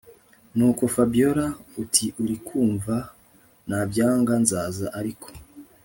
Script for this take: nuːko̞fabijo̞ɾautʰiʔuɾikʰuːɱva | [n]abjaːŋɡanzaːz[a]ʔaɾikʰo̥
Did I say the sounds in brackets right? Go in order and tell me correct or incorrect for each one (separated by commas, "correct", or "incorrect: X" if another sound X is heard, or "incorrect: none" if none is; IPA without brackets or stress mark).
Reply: correct, correct